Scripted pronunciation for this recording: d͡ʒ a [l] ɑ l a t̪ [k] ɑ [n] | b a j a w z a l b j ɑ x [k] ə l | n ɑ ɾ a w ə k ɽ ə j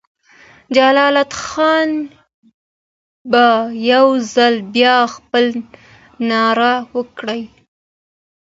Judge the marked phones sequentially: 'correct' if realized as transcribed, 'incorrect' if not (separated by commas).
correct, incorrect, correct, incorrect